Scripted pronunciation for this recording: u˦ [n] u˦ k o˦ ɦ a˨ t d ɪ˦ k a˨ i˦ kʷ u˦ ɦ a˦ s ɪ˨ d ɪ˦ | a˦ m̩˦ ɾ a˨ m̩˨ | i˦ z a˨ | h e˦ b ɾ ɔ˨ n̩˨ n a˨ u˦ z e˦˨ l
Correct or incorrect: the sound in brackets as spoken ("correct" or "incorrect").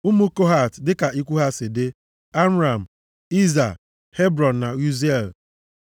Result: incorrect